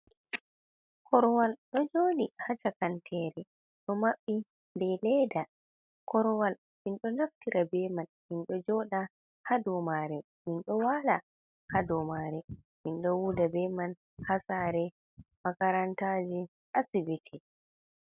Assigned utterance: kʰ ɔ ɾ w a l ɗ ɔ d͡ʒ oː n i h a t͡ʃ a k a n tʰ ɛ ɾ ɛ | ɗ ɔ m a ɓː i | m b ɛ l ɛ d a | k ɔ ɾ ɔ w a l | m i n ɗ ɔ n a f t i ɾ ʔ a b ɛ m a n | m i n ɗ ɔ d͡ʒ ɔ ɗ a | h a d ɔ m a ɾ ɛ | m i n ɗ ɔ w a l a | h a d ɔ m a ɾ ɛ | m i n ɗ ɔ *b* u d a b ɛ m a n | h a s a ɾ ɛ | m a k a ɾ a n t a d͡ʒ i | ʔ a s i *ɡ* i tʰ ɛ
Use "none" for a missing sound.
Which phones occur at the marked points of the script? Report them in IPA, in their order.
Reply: w, b

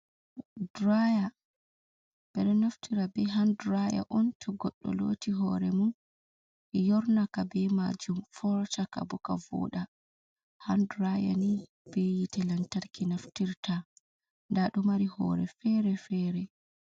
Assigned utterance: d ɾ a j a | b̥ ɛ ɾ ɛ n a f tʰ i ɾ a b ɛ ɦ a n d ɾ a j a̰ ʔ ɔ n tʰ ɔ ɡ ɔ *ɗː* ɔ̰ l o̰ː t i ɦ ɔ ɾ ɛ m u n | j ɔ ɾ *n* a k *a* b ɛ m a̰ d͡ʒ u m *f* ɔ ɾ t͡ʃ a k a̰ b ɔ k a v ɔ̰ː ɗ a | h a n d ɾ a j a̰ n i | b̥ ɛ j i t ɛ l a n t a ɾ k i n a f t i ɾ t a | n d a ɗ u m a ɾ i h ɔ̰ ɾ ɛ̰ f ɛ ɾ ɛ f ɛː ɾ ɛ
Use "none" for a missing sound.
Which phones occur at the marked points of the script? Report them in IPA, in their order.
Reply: ɗː, n, a, f

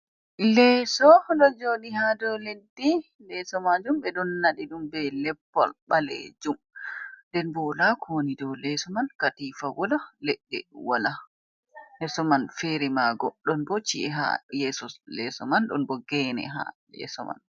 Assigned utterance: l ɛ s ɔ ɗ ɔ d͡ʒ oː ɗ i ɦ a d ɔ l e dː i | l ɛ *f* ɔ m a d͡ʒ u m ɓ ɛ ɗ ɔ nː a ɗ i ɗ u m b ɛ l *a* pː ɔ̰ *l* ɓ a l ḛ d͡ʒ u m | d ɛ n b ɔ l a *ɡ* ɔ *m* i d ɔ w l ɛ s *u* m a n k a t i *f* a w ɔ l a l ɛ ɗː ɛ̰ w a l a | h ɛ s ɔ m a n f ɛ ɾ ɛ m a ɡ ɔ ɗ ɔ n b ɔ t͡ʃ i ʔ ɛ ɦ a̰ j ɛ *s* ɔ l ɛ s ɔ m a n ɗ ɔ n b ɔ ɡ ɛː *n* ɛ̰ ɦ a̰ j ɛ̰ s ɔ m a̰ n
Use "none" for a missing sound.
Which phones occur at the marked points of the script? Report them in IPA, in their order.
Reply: s, ɛ, l, k, n, ɔ, f, s, n

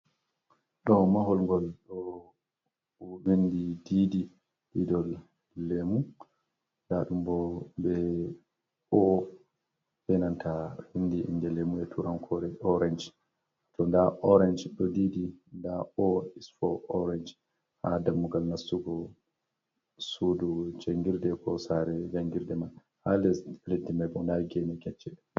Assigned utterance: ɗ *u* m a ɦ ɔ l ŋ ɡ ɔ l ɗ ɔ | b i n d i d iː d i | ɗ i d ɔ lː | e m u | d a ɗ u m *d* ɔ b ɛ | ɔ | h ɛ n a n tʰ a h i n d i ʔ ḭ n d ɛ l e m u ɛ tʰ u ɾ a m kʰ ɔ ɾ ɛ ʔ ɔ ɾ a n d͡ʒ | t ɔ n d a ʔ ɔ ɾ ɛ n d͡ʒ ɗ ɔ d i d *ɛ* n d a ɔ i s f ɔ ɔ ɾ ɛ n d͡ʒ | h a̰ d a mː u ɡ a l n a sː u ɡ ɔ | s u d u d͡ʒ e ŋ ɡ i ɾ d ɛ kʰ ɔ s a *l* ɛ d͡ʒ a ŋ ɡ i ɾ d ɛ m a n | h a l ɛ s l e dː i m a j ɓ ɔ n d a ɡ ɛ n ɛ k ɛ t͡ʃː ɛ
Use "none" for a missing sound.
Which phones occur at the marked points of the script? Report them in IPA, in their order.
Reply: ɔ, b, i, ɾ

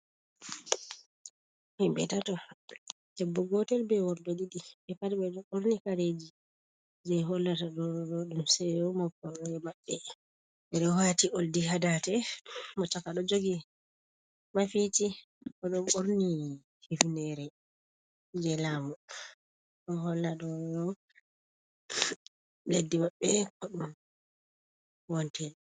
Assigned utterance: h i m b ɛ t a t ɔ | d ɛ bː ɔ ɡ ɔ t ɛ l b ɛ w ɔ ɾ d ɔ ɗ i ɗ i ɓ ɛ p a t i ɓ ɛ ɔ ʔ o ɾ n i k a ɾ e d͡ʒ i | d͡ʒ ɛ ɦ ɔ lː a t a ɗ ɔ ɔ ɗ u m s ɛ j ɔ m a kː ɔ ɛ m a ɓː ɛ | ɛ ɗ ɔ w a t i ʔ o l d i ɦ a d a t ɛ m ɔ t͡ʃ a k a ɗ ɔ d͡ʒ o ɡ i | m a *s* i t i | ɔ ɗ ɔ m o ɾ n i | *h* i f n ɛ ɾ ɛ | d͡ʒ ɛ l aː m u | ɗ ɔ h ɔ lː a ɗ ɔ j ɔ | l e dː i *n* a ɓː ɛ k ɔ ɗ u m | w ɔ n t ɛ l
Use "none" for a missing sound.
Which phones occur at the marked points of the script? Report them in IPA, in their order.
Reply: f, h, m

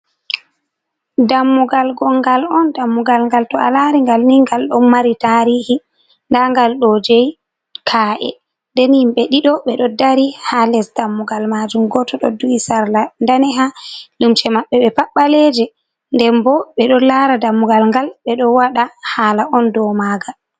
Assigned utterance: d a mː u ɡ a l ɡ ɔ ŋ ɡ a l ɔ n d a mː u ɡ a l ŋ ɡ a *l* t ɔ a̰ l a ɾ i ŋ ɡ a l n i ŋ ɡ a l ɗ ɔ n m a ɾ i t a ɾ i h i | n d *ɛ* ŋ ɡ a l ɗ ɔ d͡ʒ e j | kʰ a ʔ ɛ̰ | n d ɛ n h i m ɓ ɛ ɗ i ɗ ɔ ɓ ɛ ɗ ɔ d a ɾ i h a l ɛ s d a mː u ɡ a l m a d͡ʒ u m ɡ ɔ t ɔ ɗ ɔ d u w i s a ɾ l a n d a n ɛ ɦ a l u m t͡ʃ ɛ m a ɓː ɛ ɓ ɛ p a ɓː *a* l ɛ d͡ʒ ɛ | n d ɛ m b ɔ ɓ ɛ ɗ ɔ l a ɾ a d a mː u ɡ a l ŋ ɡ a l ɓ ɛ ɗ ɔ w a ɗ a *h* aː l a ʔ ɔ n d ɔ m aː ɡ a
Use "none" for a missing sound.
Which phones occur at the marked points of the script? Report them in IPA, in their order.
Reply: l, a, a, h

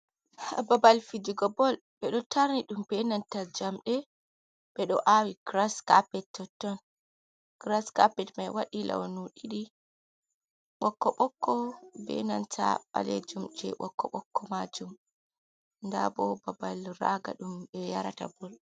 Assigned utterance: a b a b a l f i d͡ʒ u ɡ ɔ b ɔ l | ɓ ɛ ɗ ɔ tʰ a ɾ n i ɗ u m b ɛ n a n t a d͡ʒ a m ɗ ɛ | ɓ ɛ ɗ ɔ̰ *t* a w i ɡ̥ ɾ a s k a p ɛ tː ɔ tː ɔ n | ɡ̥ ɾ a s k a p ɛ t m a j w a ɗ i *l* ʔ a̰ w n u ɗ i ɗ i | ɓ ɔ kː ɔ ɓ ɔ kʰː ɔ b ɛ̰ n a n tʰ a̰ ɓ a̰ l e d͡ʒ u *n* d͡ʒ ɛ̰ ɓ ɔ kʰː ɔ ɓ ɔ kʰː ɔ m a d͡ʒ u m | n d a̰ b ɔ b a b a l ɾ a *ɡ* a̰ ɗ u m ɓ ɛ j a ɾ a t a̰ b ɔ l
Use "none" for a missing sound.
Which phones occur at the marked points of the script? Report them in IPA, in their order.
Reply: ʔ, l, m, ɡ

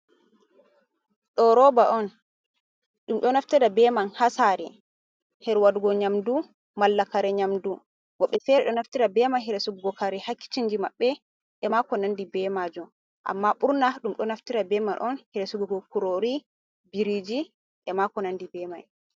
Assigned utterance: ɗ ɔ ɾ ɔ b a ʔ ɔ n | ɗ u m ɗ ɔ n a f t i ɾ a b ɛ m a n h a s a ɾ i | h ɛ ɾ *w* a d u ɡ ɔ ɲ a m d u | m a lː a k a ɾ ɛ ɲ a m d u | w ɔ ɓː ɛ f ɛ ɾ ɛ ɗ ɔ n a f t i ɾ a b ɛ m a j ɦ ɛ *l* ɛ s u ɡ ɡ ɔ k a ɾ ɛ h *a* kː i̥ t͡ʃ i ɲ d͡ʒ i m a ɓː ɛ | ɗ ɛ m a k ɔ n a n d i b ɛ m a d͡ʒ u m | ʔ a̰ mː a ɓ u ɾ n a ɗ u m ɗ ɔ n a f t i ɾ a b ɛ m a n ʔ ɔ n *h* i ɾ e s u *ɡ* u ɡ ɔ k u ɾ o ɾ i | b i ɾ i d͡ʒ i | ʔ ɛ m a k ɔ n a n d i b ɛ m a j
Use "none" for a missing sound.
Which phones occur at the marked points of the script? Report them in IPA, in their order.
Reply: w, ɾ, a, h, ɡ

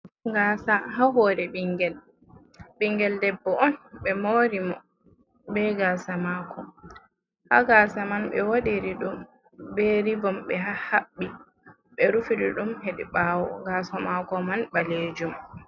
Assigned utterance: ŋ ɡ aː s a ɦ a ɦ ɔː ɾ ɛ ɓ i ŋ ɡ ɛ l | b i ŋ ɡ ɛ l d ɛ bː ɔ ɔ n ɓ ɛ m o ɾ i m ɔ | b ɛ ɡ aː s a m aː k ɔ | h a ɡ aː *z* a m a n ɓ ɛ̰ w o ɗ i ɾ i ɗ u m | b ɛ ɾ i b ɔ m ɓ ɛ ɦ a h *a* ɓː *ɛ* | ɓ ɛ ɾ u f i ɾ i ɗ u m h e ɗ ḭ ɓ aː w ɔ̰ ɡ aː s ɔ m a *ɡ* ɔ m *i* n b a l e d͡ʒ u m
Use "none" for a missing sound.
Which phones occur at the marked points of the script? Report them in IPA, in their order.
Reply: s, a, i, k, a

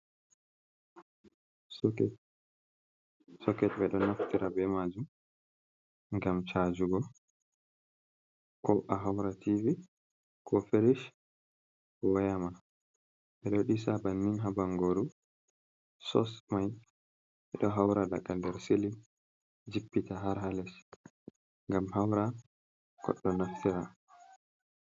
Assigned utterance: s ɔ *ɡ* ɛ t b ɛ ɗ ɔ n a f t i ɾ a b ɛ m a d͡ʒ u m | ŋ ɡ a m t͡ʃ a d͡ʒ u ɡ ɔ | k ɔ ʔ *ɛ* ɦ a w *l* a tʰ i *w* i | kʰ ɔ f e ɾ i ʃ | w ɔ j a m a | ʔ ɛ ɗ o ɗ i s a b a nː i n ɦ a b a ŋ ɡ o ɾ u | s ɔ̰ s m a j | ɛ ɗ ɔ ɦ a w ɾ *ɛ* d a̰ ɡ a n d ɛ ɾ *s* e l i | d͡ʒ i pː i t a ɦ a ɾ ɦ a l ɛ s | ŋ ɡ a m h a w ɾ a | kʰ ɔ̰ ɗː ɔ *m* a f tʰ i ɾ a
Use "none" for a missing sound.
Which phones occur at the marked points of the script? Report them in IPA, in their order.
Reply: k, a, ɾ, v, a, s, n

